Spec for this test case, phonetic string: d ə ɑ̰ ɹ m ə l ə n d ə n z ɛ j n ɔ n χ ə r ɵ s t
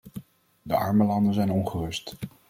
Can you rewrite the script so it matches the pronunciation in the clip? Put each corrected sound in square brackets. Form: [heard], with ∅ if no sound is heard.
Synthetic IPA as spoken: d ə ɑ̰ ɹ m ə l [ɑ] n d ə n z ɛ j n ɔ n χ ə r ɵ s t